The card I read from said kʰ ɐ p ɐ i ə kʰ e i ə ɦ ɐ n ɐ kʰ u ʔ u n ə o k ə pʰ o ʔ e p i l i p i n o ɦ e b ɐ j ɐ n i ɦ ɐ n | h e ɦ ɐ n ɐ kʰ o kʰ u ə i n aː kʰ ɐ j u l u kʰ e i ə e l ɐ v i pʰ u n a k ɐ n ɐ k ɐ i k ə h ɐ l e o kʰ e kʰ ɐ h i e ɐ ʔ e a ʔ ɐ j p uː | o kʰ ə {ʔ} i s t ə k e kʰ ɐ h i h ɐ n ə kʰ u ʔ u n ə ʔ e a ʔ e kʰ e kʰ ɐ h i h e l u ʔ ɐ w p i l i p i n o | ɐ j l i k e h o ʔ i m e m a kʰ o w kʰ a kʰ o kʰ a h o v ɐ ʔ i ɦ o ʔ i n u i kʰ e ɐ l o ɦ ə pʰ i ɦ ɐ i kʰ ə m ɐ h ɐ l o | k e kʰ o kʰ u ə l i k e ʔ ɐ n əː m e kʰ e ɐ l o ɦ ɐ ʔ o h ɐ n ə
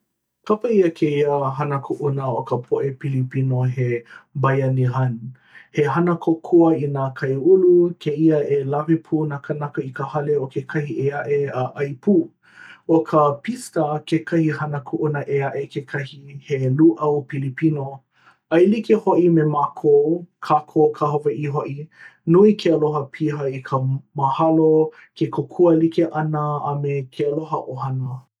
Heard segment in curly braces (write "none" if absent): p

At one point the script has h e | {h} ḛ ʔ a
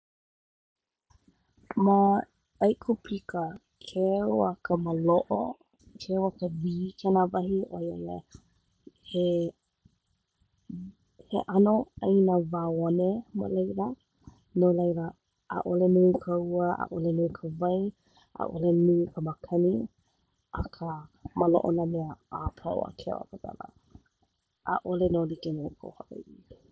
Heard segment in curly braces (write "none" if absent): h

